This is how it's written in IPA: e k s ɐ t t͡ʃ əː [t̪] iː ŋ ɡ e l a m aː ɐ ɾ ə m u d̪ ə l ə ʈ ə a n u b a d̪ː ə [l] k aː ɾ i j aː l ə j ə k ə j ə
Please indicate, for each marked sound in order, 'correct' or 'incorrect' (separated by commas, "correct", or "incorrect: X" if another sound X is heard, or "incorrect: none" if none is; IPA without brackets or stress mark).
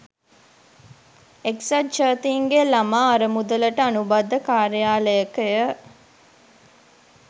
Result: correct, incorrect: none